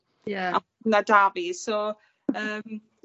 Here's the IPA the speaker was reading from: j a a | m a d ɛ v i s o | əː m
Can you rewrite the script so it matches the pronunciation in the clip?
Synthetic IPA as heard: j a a | n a d a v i s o | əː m